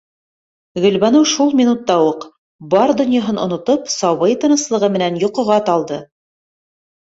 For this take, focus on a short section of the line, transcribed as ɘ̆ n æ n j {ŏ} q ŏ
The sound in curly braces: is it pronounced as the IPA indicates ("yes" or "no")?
yes